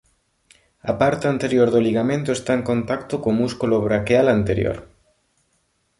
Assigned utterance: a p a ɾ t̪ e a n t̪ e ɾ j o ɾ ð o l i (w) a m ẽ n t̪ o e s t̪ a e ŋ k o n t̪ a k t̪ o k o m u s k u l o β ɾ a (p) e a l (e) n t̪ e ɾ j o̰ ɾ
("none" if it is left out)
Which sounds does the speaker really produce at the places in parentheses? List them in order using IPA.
ɣ, k, a

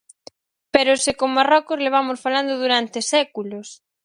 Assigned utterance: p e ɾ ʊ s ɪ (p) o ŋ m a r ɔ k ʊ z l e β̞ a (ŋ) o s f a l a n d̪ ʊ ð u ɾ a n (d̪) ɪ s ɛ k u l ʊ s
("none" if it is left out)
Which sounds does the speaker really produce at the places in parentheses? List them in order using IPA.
k, m, t̪

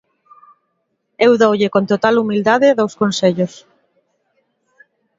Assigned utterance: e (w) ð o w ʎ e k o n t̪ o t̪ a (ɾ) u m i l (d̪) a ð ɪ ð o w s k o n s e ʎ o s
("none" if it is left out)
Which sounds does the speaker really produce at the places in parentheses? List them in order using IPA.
w, l, d̪

